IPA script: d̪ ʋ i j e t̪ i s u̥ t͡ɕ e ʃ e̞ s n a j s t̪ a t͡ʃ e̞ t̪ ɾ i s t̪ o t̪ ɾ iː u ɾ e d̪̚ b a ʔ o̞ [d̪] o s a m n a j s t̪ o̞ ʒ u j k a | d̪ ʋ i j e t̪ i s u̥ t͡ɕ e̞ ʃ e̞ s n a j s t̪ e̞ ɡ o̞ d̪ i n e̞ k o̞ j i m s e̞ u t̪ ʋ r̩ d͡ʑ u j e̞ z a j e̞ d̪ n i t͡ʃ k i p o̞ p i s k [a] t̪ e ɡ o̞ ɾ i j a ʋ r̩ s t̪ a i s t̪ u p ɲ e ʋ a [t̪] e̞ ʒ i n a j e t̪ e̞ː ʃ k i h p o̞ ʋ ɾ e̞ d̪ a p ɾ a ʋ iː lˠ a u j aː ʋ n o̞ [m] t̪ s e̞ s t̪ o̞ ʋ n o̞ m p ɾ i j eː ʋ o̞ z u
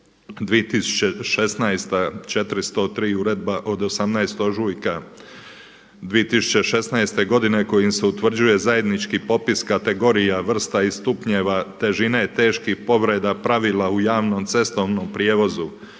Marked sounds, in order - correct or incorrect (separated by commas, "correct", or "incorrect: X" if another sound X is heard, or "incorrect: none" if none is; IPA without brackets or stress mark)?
correct, correct, correct, correct